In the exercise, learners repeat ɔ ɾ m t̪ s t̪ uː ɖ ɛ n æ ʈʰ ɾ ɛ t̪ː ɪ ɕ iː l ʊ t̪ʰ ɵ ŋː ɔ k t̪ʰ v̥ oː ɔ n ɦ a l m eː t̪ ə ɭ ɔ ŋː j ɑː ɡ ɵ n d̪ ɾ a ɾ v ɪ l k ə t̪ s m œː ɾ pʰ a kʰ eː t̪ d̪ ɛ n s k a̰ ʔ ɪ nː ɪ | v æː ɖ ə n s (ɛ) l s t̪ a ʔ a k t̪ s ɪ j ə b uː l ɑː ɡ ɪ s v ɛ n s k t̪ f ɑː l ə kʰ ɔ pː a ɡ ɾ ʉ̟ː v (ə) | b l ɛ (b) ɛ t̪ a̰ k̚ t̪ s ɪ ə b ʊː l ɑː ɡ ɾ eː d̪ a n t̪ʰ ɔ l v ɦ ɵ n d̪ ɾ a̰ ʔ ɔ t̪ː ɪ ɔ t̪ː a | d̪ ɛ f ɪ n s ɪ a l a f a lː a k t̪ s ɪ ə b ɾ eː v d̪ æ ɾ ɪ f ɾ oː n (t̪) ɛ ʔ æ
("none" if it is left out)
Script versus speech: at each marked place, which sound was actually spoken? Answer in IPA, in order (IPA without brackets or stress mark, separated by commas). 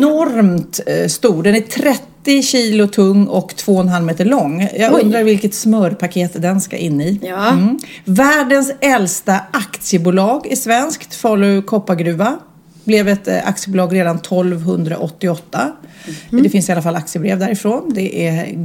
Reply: ɛ, a, v, d̪